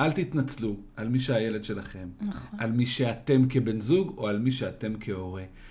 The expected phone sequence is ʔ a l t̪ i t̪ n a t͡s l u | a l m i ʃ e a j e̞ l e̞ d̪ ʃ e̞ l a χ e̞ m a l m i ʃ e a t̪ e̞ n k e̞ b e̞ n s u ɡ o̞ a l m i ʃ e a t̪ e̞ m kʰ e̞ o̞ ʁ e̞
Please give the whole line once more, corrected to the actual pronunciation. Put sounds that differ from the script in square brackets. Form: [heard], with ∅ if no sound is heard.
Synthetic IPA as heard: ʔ a l t̪ i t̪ n a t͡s l u | a l m i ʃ e a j e̞ l e̞ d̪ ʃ e̞ l a χ e̞ m a l m i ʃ e a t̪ e̞ [m] k e̞ b e̞ n [z] u ɡ o̞ a l m i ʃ e a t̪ e̞ m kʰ e̞ o̞ ʁ e̞